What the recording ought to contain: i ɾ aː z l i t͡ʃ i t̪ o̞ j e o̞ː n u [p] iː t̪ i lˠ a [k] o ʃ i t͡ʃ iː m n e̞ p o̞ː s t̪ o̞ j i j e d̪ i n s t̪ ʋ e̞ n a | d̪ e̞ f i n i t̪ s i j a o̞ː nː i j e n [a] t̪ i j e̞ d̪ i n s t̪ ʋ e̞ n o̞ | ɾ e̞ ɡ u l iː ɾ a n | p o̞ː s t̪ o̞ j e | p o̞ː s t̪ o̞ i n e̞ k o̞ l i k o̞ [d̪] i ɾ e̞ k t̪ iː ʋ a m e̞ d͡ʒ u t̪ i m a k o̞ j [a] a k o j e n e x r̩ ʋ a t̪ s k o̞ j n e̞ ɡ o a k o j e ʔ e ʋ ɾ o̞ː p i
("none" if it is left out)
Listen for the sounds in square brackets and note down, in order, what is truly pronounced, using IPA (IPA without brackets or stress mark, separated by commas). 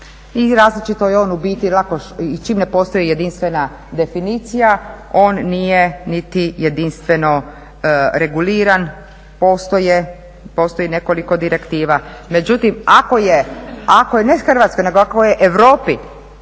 b, k, i, d̪, e